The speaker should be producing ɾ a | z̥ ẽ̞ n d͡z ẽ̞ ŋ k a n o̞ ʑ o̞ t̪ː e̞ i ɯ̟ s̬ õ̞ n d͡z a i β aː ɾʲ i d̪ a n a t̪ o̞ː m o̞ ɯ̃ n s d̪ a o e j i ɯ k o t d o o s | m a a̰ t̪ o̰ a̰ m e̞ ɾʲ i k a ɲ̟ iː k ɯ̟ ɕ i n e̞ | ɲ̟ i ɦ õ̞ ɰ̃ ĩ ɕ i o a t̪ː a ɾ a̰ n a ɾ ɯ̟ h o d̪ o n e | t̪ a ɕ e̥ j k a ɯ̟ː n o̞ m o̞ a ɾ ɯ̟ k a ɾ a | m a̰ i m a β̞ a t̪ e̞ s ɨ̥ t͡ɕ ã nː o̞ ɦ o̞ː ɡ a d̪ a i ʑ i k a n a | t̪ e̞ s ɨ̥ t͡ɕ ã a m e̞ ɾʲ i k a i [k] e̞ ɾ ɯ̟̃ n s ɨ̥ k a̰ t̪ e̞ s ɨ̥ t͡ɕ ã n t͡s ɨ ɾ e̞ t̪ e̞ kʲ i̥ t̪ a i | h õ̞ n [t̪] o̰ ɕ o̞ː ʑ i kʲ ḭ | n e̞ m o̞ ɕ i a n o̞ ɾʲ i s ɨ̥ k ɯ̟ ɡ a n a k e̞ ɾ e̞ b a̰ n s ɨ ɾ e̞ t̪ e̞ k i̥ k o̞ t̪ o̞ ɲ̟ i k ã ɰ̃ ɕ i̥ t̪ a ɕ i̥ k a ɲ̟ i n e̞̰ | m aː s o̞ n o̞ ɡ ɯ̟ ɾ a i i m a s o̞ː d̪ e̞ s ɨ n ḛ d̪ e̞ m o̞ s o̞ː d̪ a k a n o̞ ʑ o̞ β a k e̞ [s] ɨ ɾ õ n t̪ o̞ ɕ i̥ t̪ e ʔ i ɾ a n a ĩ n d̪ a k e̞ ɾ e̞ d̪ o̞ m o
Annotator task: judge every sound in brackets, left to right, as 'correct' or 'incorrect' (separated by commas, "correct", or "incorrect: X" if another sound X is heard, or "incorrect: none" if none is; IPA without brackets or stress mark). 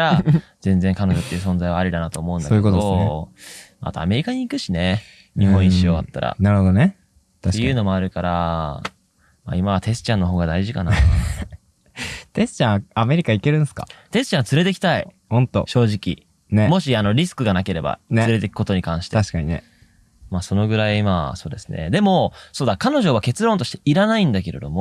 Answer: correct, correct, incorrect: t͡s